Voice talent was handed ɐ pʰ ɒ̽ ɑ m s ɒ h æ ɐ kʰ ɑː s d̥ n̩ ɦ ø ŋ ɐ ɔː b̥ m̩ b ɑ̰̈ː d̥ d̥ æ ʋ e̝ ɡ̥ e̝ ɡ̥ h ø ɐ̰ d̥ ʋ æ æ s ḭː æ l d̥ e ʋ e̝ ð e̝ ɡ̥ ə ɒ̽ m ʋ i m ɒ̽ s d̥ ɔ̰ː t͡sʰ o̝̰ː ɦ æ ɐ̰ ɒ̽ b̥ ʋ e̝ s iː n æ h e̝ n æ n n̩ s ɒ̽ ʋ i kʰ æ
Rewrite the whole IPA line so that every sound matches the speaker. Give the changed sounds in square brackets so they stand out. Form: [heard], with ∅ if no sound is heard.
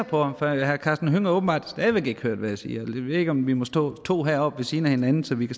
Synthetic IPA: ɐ pʰ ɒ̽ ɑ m [f] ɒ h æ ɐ kʰ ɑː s d̥ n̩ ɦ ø ŋ ɐ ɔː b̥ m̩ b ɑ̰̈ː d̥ d̥ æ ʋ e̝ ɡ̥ e̝ ɡ̥ h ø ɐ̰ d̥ ʋ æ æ s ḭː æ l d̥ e ʋ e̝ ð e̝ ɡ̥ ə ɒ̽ m ʋ i m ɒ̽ s d̥ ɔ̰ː t͡sʰ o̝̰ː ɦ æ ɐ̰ ɒ̽ b̥ ʋ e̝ s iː n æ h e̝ n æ n n̩ s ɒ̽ ʋ i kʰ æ